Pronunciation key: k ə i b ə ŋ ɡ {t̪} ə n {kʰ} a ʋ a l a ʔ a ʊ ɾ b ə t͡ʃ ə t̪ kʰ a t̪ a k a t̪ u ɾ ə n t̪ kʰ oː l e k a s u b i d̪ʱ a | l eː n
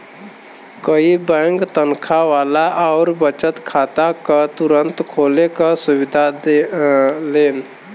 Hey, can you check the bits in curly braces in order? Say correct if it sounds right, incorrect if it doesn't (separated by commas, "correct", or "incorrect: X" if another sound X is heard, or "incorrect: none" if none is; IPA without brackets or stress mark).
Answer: correct, correct